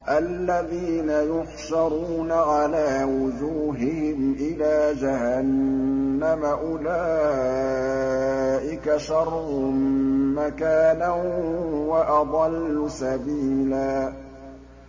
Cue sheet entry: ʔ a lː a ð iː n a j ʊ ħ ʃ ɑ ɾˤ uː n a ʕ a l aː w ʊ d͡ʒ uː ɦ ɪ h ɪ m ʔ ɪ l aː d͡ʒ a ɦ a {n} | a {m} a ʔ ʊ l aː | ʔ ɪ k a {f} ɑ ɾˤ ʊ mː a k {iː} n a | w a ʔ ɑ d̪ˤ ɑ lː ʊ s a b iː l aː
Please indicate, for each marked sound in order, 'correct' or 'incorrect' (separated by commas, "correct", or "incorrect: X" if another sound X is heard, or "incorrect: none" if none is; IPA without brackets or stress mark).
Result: incorrect: nː, correct, incorrect: ʃ, incorrect: aː